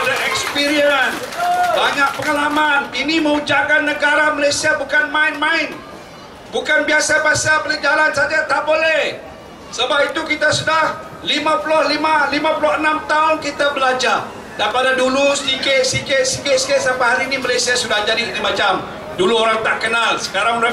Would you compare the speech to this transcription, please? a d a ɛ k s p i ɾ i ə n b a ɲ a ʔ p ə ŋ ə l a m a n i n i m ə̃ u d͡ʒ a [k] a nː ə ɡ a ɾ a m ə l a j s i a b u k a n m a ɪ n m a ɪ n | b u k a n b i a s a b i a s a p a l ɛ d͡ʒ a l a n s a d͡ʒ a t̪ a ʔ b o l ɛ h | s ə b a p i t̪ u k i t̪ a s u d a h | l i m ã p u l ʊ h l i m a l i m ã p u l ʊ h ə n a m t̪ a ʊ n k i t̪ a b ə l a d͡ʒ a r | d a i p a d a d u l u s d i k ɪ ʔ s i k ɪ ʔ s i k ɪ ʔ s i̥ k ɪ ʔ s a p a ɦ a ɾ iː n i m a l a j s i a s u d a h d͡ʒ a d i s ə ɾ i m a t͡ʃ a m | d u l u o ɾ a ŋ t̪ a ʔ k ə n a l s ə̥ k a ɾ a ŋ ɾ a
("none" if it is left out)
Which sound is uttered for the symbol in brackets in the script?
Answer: k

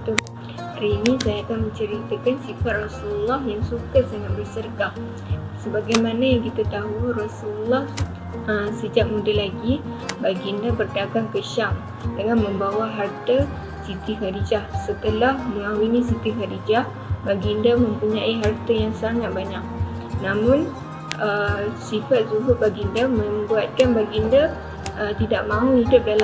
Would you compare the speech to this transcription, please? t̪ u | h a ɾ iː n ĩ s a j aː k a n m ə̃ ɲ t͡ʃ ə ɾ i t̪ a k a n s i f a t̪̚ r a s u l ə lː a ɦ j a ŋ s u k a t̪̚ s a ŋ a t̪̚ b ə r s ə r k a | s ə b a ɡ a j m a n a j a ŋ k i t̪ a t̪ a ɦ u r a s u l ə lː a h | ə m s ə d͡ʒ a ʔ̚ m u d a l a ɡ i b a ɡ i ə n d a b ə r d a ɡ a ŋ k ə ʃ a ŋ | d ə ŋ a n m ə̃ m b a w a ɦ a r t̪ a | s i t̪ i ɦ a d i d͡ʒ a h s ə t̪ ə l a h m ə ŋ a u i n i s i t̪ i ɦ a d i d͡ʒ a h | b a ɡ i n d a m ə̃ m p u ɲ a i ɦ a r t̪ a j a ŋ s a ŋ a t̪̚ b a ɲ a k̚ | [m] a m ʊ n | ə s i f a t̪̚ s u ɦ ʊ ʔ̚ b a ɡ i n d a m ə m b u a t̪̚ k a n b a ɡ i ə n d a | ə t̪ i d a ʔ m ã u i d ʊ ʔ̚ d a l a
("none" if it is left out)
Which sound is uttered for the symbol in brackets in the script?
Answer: n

